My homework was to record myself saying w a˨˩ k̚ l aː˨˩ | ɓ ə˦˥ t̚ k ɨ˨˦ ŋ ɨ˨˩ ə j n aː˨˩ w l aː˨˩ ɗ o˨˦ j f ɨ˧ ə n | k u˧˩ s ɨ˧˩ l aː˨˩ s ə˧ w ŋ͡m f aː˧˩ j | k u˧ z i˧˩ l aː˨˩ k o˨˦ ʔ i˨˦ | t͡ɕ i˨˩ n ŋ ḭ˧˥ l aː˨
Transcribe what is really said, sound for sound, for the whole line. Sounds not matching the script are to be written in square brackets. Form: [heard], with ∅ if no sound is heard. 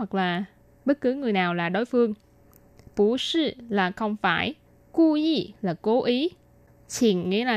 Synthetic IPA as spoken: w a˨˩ k̚ l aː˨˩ | ɓ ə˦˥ t̚ k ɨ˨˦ ŋ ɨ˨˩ ə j n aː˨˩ w l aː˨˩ ɗ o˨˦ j f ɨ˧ ə [ŋ] | [p] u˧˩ s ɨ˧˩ l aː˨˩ [x] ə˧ w ŋ͡m f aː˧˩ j | k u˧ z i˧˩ l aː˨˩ k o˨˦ ʔ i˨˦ | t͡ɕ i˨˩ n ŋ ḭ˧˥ l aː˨